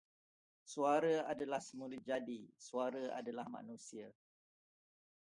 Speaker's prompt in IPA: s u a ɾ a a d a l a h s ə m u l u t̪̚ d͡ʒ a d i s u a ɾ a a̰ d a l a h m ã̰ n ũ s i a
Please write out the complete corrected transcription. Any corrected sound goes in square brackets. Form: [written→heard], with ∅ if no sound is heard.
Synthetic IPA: s u a ɾ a a d a l a h s ə m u l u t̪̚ d͡ʒ a d i s u a ɾ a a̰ d a l a h m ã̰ n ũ s i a